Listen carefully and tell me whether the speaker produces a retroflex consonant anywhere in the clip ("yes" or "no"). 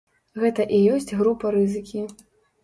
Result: no